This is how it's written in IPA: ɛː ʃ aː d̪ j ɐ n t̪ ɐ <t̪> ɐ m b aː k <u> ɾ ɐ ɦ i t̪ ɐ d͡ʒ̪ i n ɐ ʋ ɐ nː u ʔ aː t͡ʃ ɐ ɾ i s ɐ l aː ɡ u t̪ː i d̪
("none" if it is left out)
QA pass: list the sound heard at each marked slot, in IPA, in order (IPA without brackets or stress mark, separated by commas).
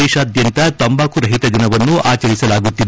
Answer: t̪, u